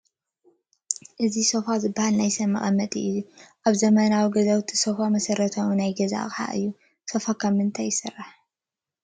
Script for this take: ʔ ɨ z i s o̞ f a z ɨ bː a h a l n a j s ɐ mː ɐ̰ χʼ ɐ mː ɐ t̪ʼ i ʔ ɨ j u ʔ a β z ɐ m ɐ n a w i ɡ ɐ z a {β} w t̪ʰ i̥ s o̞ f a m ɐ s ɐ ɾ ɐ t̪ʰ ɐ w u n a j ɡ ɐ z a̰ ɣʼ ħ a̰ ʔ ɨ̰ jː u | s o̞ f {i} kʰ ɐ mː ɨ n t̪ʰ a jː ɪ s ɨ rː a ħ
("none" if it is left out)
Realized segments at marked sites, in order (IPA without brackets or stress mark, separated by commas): none, a